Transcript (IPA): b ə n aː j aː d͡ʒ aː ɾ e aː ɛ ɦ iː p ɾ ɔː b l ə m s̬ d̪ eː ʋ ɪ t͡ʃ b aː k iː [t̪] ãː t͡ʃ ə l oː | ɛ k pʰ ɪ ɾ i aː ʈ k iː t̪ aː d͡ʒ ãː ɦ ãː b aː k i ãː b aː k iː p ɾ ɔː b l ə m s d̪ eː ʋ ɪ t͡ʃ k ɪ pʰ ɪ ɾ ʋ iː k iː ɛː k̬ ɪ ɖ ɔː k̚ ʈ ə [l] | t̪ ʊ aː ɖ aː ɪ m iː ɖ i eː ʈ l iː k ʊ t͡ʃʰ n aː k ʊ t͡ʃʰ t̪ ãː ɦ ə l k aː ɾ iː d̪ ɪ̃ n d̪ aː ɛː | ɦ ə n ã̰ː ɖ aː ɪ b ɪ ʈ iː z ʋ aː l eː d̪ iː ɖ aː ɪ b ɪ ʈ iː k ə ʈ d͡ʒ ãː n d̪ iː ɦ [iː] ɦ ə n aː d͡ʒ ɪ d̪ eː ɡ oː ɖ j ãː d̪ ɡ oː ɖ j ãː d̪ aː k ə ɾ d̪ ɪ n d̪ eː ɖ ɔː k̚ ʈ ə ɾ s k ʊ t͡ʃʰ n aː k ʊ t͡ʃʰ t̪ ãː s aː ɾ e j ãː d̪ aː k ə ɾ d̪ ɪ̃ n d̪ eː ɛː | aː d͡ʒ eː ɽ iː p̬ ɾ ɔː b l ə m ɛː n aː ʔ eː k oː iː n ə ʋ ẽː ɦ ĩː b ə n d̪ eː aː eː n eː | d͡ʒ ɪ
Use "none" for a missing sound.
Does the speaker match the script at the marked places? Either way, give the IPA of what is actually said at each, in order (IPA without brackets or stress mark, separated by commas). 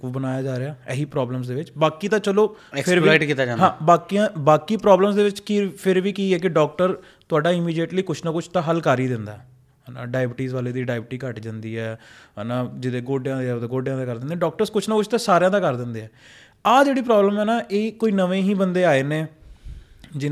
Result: t̪, ɾ, ɛː